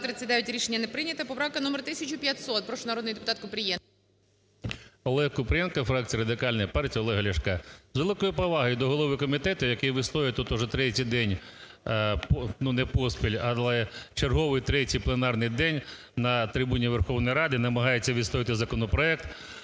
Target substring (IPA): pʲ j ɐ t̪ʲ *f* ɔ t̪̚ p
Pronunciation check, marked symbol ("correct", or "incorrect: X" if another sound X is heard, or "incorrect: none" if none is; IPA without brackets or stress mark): incorrect: s